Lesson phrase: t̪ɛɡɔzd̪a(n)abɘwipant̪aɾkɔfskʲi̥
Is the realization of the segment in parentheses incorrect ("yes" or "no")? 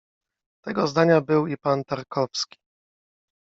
yes